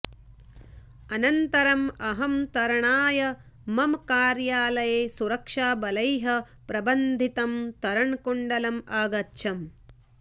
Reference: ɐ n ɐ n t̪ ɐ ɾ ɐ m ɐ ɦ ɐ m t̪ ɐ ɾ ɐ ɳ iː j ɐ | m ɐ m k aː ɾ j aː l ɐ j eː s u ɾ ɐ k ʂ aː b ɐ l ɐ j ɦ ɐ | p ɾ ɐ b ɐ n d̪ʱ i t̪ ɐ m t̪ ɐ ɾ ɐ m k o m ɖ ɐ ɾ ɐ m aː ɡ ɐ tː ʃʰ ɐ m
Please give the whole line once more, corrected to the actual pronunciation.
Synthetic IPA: ɐ n ɐ n t̪ ɐ ɾ ɐ m ɐ ɦ ɐ m t̪ ɐ ɾ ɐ ɳ aː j ɐ | m ɐ m k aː ɾ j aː l ɐ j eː s u ɾ ɐ k ʂ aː b ɐ l ɐ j ɦ ɐ | p ɾ ɐ b ɐ n d̪ʱ i t̪ ɐ m t̪ ɐ ɾ ɐ ɳ k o ɳ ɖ ɐ l ɐ m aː ɡ ɐ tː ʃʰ ɐ m

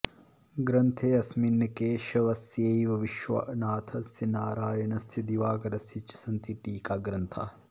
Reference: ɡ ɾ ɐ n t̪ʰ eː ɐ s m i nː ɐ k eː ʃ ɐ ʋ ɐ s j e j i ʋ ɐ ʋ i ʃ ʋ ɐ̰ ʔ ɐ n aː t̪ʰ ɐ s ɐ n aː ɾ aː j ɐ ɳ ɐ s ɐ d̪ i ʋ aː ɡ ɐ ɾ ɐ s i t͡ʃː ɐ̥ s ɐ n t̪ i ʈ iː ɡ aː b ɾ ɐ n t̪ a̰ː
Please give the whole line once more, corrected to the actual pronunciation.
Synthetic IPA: ɡ ɾ ɐ n t̪ʰ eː ɐ s m i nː ɐ k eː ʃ ɐ ʋ ɐ s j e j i ʋ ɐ ʋ i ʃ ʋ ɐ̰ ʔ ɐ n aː t̪ʰ ɐ s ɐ n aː ɾ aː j ɐ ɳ ɐ s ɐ d̪ i ʋ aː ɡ ɐ ɾ ɐ s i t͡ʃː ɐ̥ s ɐ n t̪ i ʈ iː k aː ɡ ɾ ɐ n t̪ʰ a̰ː

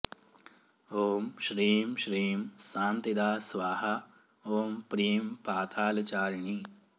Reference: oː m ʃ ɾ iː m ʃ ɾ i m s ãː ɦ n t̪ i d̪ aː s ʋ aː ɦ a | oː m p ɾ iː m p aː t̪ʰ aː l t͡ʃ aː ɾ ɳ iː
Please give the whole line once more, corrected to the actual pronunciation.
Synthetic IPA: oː m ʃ ɾ iː m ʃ ɾ iː m s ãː n t̪ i d̪ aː s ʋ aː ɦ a | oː m p ɾ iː m p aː t̪ʰ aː l t͡ʃ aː ɾ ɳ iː

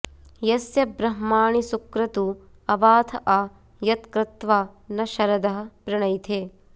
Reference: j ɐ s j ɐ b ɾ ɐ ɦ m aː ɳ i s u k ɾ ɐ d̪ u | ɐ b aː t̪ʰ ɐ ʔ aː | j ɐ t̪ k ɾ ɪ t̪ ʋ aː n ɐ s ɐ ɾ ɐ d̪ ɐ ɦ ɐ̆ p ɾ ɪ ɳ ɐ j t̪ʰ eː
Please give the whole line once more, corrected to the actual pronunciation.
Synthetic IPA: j ɐ s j ɐ b ɾ ɐ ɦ m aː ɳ i s u k ɾ ɐ t̪ u | ɐ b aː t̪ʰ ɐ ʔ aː | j ɐ t̪ k ɾ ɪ t̪ ʋ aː n ɐ ʃ ɐ ɾ ɐ d̪ ɐ ɦ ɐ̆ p ɾ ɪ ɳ ɐ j t̪ʰ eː

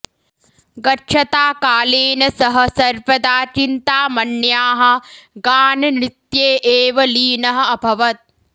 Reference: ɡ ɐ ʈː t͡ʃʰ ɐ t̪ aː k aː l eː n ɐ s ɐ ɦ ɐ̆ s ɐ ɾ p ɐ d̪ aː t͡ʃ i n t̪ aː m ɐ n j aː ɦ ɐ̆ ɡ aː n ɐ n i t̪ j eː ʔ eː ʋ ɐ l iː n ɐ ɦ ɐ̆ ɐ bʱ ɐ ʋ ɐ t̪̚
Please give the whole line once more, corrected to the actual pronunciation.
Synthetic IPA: ɡ ɐ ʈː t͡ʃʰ ɐ t̪ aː k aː l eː n ɐ s ɐ ɦ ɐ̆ s ɐ ɾ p ɐ d̪ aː t͡ʃ i n t̪ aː m ɐ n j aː ɦ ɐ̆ ɡ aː n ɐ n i t̪ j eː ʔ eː ʋ ɐ l iː n ɐ ɦ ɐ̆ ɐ bʱ ɐ ʋ ɐ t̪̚

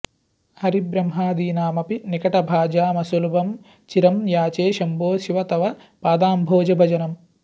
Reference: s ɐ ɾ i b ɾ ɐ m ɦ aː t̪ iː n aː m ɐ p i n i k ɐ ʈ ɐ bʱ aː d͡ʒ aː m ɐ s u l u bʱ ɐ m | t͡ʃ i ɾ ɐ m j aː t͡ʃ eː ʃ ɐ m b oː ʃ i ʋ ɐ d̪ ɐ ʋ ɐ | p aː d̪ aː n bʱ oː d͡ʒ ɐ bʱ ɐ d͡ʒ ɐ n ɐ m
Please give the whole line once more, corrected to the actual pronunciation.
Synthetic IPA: h ɐ ɾ i b ɾ ɐ m ɦ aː d̪ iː n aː m ɐ p i n i k ɐ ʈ ɐ bʱ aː d͡ʒ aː m ɐ s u l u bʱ ɐ m | t͡ʃ i ɾ ɐ m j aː t͡ʃ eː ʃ ɐ m b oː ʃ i ʋ ɐ t̪ ɐ ʋ ɐ | p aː d̪ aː m bʱ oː d͡ʒ ɐ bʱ ɐ d͡ʒ ɐ n ɐ m

